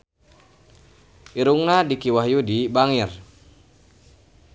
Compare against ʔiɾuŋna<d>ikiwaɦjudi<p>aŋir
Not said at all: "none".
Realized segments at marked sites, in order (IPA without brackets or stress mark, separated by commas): d, b